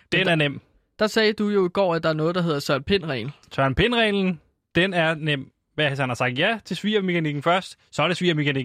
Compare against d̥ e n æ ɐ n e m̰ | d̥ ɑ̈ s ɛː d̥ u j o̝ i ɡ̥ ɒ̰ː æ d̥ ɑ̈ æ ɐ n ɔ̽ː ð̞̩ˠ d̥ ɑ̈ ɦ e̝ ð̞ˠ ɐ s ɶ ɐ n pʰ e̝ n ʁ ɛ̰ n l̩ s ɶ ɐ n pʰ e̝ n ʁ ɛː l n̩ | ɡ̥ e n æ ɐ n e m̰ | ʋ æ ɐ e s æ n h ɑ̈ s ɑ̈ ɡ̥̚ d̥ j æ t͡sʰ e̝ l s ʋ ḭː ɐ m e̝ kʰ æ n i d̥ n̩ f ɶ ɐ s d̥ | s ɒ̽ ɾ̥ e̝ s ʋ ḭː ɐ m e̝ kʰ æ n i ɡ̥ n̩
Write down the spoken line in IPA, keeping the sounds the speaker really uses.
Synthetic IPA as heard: d̥ e n æ ɐ n e m̰ | d̥ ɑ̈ s ɛː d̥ u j o̝ i ɡ̥ ɒ̰ː æ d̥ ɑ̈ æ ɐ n ɔ̽ː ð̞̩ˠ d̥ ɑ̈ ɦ e̝ ð̞ˠ ɐ s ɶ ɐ n pʰ e̝ n ʁ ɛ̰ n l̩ s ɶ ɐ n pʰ e̝ n ʁ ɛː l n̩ | d̥ e n æ ɐ n e m̰ | ʋ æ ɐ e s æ n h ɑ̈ s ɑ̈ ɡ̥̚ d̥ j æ t͡sʰ e̝ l s ʋ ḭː ɐ m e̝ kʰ æ n i ɡ̥ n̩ f ɶ ɐ s d̥ | s ɒ̽ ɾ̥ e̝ s ʋ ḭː ɐ m e̝ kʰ æ n i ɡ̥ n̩